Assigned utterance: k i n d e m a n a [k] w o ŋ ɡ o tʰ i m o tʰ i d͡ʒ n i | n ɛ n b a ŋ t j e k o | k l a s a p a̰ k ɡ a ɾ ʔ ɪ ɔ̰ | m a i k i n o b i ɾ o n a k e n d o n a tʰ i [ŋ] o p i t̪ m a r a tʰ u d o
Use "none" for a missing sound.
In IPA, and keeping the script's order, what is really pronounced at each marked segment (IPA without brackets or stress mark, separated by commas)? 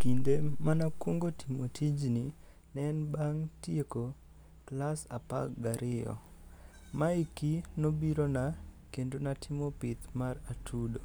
k, m